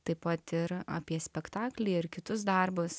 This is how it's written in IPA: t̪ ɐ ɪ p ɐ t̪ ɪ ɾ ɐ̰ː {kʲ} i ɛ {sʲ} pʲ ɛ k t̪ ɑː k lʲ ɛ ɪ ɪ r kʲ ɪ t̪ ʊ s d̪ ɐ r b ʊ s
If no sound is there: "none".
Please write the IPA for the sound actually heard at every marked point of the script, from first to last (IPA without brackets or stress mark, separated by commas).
pʲ, sʲ